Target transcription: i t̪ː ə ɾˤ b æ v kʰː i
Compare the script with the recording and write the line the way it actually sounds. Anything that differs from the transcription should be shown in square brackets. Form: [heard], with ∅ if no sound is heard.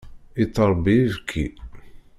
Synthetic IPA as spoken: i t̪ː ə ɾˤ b [i] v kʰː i